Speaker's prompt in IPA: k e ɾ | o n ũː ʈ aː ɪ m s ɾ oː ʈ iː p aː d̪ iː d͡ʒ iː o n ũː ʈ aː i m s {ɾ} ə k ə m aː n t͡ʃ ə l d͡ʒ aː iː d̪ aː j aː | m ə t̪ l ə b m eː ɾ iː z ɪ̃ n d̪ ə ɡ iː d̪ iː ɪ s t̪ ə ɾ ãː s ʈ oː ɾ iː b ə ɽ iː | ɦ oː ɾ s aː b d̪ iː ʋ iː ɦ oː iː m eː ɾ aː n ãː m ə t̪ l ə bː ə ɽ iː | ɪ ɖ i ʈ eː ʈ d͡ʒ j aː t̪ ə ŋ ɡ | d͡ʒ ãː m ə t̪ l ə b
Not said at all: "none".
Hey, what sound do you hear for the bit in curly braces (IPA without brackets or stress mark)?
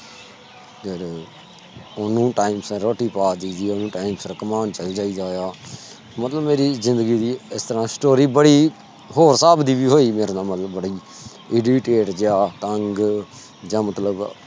ɾ